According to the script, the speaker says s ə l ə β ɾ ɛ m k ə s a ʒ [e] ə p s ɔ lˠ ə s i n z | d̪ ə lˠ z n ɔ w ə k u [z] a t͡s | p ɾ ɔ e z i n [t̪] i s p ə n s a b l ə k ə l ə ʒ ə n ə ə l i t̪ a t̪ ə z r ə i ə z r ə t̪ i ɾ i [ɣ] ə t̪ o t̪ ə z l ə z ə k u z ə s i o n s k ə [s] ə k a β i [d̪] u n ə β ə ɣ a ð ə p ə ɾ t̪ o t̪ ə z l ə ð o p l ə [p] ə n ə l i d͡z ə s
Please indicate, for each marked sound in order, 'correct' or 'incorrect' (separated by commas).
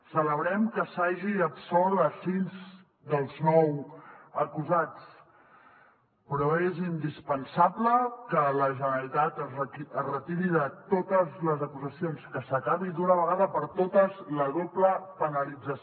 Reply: incorrect, correct, incorrect, incorrect, correct, correct, correct